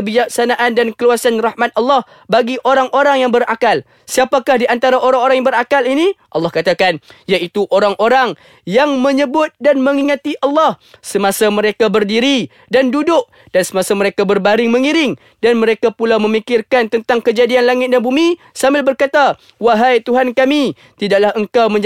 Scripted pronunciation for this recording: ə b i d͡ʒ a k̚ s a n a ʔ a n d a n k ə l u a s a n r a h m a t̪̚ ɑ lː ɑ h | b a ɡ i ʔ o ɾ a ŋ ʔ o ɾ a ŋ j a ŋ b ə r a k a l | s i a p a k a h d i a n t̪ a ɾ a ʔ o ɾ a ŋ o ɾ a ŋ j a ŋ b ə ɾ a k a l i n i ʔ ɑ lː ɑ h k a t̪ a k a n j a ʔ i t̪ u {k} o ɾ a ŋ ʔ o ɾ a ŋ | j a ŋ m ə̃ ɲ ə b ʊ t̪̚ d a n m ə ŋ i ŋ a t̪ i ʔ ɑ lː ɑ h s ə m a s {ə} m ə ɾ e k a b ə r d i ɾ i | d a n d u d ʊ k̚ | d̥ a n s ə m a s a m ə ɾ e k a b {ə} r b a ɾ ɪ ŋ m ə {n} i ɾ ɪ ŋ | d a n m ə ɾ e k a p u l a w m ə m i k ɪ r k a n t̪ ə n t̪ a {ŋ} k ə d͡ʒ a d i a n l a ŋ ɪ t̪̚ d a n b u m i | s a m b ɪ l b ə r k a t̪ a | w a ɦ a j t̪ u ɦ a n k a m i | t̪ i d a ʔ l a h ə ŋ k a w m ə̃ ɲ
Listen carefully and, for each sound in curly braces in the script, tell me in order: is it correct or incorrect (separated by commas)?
incorrect, incorrect, correct, incorrect, correct